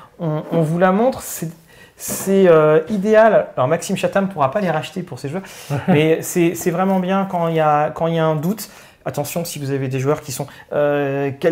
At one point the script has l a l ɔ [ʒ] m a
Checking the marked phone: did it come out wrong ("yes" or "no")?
yes